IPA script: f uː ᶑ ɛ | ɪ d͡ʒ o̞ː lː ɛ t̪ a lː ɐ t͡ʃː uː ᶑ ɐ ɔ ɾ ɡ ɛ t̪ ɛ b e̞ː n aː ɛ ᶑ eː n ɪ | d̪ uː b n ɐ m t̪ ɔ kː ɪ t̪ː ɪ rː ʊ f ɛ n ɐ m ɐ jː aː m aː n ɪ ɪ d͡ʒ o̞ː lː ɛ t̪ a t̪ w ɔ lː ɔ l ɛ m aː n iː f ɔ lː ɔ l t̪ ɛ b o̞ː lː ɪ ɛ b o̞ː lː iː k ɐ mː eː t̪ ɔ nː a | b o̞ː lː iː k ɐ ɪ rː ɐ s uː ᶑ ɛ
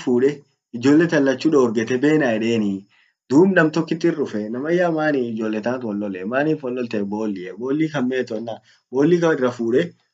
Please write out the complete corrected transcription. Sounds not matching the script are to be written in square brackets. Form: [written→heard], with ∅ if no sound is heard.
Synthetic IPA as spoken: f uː ᶑ ɛ | ɪ d͡ʒ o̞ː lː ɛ t̪ [a→ɐ] lː ɐ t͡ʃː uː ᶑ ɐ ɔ ɾ ɡ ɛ t̪ ɛ b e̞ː n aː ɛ ᶑ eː n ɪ | d̪ uː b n ɐ m t̪ ɔ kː ɪ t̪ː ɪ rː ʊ f ɛ n ɐ m ɐ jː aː m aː n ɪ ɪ d͡ʒ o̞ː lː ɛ t̪ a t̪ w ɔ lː ɔ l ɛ m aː n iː f ɔ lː ɔ l t̪ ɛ b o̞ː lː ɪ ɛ b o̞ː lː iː k ɐ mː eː t̪ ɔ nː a | b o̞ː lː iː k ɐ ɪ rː ɐ [s→f] uː ᶑ ɛ